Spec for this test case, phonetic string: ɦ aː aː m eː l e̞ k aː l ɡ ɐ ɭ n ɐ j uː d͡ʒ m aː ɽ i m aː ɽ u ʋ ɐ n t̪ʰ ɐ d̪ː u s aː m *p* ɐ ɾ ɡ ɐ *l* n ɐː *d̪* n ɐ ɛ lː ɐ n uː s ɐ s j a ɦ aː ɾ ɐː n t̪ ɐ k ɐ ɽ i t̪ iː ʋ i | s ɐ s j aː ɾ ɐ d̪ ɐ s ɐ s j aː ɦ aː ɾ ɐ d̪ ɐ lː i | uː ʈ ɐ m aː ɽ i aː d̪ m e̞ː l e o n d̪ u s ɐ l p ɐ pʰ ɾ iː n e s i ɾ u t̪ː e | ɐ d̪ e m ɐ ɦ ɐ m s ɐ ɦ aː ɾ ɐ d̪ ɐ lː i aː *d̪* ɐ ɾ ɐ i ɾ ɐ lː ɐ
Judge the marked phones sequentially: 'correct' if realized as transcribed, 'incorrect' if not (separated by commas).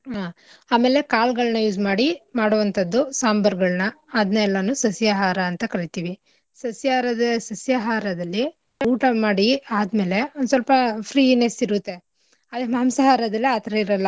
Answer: incorrect, incorrect, correct, incorrect